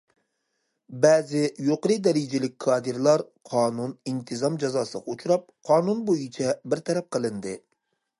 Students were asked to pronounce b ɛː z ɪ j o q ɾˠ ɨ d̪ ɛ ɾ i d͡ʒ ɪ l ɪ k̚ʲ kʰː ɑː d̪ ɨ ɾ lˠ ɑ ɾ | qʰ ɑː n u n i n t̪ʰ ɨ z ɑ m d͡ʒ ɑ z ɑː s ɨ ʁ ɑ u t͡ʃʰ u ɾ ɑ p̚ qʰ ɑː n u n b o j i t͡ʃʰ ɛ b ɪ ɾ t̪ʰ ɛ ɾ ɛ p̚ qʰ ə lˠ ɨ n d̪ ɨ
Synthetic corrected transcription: b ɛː z ɪ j o q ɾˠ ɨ d̪ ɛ ɾ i d͡ʒ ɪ l ɪ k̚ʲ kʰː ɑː d̪ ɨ ɾ lˠ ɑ ɾ | qʰ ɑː n u n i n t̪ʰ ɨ z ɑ m d͡ʒ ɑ z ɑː s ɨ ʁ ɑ u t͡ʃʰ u ɾ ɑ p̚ qʰ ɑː n u n b o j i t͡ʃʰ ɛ b ɪ ɾ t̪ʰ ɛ ɾ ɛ p̚ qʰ ə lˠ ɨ n d̪ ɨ

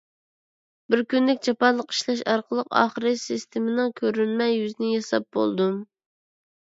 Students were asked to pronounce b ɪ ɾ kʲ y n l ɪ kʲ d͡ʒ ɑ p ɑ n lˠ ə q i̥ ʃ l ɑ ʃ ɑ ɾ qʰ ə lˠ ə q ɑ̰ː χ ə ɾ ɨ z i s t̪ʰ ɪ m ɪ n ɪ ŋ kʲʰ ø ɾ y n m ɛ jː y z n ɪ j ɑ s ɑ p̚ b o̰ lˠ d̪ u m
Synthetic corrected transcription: b ɪ ɾ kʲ y n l ɪ kʲ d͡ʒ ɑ p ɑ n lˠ ə q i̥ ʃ l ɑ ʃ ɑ ɾ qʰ ə lˠ ə q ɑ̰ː χ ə ɾ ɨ s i s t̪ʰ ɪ m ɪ n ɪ ŋ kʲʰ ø ɾ y n m ɛ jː y z n ɪ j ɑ s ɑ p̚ b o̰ lˠ d̪ u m

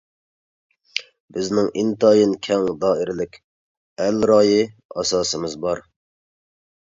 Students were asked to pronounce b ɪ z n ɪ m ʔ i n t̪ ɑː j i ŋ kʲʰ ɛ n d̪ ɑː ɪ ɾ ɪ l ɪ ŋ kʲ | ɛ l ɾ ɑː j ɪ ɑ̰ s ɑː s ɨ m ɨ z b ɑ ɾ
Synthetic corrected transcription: b ɪ z n ɪ ŋ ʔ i n t̪ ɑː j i n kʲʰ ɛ ŋ d̪ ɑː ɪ ɾ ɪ l ɪ kʲ | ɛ l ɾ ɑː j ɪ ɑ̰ s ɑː s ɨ m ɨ z b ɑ ɾ

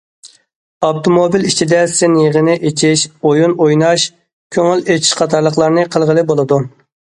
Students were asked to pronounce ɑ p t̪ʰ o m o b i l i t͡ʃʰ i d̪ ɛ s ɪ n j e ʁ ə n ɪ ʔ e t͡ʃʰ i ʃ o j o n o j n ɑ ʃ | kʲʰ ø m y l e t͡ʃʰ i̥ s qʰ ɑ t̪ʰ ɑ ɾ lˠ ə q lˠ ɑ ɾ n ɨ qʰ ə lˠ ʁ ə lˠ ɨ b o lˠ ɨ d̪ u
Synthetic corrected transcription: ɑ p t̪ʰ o m o b i l i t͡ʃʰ i d̪ ɛ s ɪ n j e ʁ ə n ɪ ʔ e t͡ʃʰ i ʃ o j u n o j n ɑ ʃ | kʲʰ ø ŋ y l e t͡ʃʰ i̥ ʃ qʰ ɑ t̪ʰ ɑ ɾ lˠ ə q lˠ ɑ ɾ n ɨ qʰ ə lˠ ʁ ə lˠ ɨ b o lˠ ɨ d̪ u

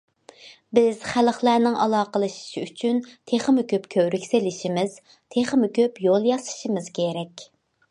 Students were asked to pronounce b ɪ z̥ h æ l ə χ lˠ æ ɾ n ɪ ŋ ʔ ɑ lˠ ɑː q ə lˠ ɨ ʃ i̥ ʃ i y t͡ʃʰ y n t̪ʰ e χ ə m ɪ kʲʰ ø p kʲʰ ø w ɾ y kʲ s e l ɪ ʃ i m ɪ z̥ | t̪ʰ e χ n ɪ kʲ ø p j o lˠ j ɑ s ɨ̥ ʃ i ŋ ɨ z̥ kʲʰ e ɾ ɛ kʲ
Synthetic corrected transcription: b ɪ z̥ χ æ l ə χ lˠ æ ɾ n ɪ ŋ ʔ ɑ lˠ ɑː q ə lˠ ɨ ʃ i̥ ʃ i y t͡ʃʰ y n t̪ʰ e χ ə m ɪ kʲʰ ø p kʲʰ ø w ɾ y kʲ s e l ɪ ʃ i m ɪ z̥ | t̪ʰ e χ m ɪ kʲ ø p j o lˠ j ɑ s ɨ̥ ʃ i m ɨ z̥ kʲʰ e ɾ ɛ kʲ

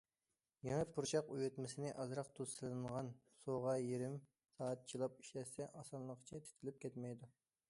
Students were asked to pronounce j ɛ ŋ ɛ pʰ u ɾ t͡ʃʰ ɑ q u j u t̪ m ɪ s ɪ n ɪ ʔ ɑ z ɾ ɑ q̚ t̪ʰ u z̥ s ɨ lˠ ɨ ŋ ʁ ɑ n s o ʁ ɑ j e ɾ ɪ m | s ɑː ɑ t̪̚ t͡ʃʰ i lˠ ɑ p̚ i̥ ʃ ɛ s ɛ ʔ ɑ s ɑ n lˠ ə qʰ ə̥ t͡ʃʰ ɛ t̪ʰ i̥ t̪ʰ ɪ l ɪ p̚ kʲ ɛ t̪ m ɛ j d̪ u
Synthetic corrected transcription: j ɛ ŋ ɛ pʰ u ɾ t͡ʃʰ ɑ q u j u t̪ m ɪ s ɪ n ɪ ʔ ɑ z ɾ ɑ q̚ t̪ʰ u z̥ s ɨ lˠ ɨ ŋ ʁ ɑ n s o ʁ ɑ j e ɾ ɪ m | s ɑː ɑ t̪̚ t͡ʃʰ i lˠ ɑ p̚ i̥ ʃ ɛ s ɛ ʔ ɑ s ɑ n lˠ ə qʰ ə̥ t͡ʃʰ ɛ t̪ʰ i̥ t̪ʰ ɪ l ɪ p̚ kʲ ɛ t̪ m ɛ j d̪ u

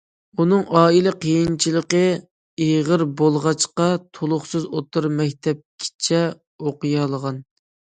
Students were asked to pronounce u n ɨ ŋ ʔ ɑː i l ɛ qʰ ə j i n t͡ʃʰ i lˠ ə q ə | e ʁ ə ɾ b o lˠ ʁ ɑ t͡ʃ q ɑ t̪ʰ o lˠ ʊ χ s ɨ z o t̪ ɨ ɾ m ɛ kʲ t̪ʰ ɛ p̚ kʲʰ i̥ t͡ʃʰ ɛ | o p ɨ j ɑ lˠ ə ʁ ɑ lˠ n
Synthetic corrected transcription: u n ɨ ŋ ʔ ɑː i l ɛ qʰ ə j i n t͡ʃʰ i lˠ ə q ə | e ʁ ə ɾ b o lˠ ʁ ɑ t͡ʃ q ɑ t̪ʰ o lˠ ʊ χ s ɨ z o t̪ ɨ ɾ m ɛ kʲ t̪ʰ ɛ p̚ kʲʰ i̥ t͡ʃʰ ɛ | o q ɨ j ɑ lˠ ə ʁ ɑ n

